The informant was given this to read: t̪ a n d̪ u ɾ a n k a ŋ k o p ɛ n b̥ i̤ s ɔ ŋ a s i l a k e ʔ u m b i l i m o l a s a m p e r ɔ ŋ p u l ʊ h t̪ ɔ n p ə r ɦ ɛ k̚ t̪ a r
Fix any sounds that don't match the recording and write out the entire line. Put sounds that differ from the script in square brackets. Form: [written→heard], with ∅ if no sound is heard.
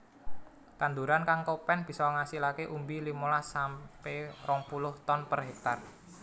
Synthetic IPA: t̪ a n d̪ u ɾ a n k a ŋ k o p ɛ n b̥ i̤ s ɔ ŋ a s i l a k e ʔ u m b i l i m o l a s a m p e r ɔ ŋ p u l ʊ h t̪ ɔ n p ə r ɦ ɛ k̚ t̪ a r